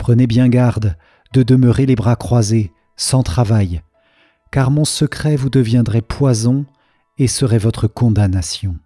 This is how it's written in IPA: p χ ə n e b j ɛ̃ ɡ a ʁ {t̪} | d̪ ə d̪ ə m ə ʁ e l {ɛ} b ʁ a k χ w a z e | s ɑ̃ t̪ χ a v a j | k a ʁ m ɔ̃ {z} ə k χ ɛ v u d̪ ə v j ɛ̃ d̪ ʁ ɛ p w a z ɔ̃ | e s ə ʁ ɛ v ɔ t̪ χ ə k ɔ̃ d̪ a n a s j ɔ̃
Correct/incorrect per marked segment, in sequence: incorrect: d̪, incorrect: e, incorrect: s

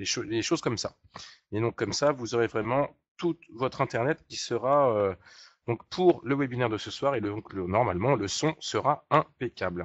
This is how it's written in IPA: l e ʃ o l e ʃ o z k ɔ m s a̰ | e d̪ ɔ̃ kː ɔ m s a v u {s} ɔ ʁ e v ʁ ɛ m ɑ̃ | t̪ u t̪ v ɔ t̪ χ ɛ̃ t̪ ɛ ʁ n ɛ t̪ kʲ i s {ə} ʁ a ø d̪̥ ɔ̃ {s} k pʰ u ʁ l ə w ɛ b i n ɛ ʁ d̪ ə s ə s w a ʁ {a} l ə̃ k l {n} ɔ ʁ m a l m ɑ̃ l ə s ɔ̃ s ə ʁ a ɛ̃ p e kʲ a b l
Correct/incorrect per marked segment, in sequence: incorrect: z, correct, incorrect: none, incorrect: e, correct

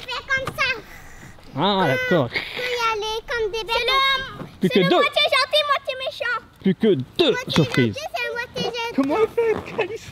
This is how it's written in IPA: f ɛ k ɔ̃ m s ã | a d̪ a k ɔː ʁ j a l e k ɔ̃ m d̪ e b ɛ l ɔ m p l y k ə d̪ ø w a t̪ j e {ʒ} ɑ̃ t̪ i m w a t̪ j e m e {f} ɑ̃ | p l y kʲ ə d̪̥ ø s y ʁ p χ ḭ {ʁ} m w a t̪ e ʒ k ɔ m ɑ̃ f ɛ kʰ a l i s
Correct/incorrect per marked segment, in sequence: correct, incorrect: ʃ, incorrect: z

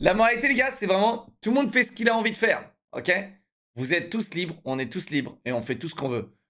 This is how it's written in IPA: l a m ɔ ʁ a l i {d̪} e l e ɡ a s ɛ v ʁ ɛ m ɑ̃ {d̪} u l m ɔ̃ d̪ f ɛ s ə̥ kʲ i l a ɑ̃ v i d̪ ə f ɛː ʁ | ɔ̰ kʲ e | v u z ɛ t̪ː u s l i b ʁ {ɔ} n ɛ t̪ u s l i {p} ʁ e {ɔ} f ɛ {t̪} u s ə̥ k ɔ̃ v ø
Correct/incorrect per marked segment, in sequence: incorrect: t̪, incorrect: t̪, incorrect: ɔ̃, incorrect: b, incorrect: ɔ̃, correct

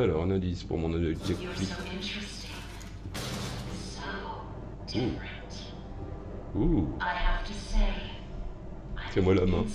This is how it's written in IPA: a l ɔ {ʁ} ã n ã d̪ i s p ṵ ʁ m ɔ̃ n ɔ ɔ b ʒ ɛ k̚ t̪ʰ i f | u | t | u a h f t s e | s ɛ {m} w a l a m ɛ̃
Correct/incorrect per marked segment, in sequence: correct, correct

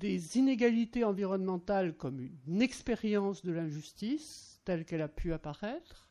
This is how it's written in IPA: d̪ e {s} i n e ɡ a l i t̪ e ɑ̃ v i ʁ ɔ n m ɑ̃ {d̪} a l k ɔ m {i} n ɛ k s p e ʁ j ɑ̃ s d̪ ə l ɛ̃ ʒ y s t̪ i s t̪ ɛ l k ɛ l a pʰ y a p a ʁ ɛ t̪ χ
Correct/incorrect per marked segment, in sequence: incorrect: z, incorrect: t̪, incorrect: y

